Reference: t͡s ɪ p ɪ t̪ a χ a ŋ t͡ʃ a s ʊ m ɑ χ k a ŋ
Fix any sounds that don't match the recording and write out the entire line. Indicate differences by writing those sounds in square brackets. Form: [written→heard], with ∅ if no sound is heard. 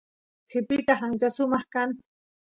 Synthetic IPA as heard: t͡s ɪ p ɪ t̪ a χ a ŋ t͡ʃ a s ʊ m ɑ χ k a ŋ